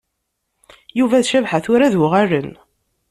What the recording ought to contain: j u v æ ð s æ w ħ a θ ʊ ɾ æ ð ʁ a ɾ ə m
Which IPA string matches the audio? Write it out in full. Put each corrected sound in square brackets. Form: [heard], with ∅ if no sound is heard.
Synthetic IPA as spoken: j u v æ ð [ʃ] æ [v] ħ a θ ʊ ɾ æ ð ʁ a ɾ ə [n]